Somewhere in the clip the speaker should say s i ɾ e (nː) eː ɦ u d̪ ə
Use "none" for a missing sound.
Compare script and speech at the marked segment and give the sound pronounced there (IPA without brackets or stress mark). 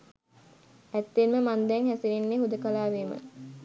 nː